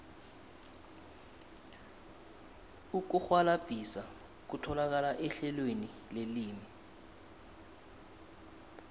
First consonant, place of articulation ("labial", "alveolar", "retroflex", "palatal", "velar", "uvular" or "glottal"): velar